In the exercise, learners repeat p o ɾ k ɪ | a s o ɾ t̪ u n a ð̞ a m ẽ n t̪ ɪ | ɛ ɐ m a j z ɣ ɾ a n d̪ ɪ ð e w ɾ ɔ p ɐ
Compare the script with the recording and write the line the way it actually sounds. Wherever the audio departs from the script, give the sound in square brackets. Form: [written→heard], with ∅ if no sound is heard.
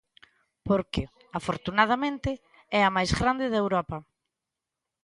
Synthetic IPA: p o ɾ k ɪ | a [s→f] o ɾ t̪ u n a ð̞ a m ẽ n t̪ ɪ | ɛ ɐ m a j z ɣ ɾ a n d̪ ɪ ð e w ɾ ɔ p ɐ